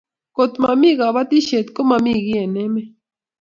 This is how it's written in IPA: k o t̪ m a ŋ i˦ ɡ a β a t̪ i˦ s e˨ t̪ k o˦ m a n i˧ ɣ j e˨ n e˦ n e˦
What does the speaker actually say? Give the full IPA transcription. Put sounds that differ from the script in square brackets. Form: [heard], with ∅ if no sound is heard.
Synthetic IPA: k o t̪ m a [m] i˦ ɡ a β a t̪ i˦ [ʃ] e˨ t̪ k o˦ m a [m] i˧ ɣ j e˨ n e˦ [m] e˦